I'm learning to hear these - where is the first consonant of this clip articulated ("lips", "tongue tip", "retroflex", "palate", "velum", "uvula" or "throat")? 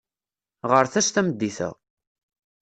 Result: uvula